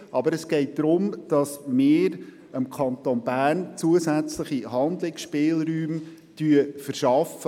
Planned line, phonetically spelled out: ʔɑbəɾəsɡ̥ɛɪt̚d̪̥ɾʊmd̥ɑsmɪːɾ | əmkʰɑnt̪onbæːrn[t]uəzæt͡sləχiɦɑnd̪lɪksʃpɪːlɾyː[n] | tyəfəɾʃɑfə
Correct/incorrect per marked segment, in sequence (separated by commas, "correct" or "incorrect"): incorrect, incorrect